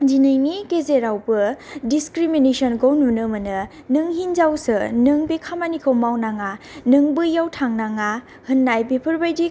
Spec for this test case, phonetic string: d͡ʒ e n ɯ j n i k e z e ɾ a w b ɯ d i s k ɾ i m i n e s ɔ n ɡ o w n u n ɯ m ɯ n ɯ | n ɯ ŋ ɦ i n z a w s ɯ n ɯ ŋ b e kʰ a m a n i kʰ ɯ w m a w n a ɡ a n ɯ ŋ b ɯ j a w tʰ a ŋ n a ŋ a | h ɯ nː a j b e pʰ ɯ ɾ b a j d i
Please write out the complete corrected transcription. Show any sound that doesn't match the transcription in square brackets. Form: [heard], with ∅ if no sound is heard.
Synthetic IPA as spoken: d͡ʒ [i] n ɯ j n i k e z e ɾ a w b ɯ d i s k ɾ i m i n e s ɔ n ɡ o w n u n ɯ m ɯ n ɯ | n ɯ ŋ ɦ i n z a w s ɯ n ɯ ŋ b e kʰ a m a n i kʰ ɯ w m a w n a [ŋ] a n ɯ ŋ b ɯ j a w tʰ a ŋ n a ŋ a | h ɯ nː a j b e pʰ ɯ ɾ b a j d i